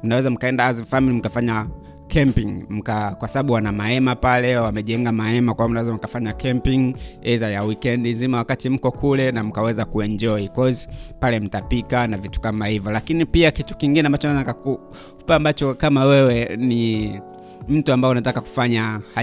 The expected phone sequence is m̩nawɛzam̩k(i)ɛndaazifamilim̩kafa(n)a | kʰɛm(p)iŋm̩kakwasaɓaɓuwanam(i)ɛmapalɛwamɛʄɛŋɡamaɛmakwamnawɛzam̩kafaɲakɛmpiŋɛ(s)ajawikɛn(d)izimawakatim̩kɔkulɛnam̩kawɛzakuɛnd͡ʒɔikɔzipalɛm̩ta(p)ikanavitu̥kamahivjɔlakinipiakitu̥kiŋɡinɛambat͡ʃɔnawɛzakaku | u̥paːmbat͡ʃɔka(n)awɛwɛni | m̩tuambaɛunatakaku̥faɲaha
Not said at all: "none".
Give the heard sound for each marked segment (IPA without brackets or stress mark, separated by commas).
a, ɲ, p, a, z, d, p, m